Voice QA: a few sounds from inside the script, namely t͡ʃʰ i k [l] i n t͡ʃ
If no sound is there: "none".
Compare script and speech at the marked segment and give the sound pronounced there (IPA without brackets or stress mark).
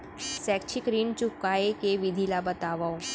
ɾ